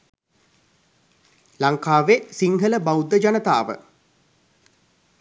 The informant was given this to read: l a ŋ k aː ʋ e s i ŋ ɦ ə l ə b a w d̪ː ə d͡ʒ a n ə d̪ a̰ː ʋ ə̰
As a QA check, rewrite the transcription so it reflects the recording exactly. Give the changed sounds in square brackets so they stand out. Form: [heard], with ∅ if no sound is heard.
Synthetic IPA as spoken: l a ŋ k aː ʋ e s i ŋ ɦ ə l ə b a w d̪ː ə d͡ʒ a n ə [t̪] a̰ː ʋ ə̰